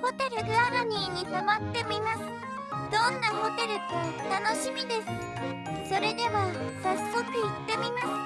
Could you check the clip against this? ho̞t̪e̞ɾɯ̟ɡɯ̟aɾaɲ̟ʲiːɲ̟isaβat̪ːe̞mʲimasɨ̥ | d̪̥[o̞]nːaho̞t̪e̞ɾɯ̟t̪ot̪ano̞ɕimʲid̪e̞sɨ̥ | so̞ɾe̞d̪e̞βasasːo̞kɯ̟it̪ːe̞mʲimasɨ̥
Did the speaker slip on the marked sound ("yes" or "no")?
yes